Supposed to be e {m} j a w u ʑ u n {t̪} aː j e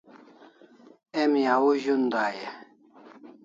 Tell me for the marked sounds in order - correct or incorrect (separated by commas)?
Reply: correct, incorrect